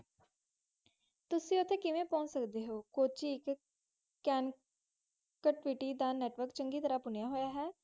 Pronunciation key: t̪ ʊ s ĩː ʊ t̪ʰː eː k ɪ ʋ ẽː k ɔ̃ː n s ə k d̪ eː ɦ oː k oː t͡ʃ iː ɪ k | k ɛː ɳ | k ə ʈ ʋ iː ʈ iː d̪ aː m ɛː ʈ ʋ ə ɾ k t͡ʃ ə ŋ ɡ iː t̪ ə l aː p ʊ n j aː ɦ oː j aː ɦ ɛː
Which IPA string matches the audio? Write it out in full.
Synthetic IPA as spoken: t̪ ʊ s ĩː ʊ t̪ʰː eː k ɪ ʋ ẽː p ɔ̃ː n s ə k d̪ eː ɦ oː k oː t͡ʃ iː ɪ k | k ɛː n | k ə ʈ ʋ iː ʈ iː d̪ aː n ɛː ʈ ʋ ə ɾ k t͡ʃ ə ŋ ɡ iː t̪ ə ɾ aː p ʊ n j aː ɦ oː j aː ɦ ɛː